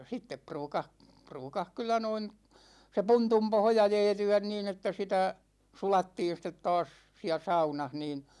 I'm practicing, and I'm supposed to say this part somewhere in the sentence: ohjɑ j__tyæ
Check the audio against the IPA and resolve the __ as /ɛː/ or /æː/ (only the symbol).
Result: ɛː